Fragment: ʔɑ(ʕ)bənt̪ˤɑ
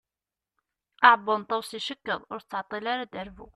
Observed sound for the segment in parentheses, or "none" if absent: ʕ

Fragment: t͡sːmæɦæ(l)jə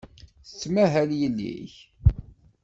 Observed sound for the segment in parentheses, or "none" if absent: l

